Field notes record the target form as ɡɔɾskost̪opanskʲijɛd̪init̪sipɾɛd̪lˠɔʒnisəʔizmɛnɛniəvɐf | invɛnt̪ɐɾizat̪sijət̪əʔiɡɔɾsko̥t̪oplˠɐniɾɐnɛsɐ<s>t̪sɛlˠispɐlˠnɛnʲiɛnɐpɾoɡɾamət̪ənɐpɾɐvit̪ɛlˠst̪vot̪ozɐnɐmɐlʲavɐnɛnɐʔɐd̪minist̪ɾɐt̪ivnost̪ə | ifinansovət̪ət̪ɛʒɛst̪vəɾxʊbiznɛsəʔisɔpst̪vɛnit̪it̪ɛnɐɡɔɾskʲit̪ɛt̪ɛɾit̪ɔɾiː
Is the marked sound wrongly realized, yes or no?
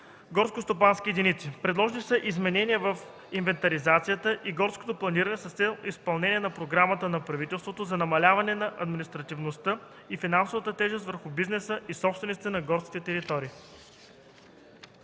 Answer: no